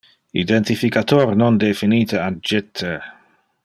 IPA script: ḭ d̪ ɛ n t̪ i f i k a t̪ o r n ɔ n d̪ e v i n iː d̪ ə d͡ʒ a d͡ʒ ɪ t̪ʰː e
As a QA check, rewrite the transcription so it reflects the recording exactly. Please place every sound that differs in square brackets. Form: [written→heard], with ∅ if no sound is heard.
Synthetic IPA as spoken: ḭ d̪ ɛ n t̪ i f i k a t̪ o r n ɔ n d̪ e [v→f] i n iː [d̪→t̪] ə [d͡ʒ→∅] a d͡ʒ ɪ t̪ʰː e